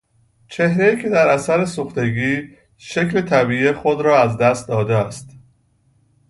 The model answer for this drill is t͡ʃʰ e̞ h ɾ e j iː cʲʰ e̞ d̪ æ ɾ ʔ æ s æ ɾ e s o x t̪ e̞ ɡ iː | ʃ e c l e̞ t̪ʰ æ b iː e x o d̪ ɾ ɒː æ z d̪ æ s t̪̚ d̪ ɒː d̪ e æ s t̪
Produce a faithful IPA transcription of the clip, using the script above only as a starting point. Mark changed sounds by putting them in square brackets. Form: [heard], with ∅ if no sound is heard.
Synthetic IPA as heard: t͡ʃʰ e̞ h ɾ e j iː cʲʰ e̞ d̪ æ ɾ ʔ æ s æ ɾ e s o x t̪ e̞ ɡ iː | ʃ e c l e̞ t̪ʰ æ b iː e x o d̪ ɾ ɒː æ z d̪ æ s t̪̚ d̪ ɒː d̪ e æ s t̪